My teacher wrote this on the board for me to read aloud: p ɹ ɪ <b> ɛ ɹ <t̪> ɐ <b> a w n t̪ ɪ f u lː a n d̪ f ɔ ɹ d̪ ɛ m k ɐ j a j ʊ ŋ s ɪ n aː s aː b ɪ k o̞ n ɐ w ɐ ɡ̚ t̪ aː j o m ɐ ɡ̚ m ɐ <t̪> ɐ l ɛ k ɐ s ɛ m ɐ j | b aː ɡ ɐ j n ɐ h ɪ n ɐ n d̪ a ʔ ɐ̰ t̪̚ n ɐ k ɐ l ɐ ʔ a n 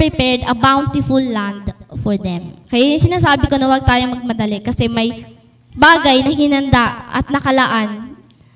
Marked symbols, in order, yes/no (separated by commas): no, no, yes, no